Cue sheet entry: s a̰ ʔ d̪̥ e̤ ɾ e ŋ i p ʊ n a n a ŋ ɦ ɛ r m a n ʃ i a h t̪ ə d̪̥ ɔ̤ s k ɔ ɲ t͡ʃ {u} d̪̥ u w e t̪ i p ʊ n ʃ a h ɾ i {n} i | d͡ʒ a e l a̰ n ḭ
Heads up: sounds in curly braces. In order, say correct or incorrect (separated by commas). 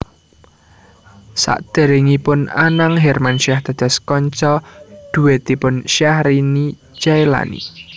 incorrect, correct